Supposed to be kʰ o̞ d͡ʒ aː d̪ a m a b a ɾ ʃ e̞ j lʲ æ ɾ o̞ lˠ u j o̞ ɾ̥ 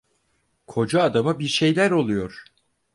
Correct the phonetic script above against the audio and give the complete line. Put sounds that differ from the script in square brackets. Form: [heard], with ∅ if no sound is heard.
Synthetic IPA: kʰ o̞ d͡ʒ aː d̪ a m a b [i] ɾ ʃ e̞ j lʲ æ ɾ o̞ lˠ u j o̞ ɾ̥